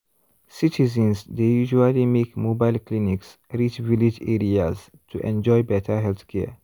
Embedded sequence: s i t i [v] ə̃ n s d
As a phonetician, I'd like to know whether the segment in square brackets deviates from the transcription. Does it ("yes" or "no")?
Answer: yes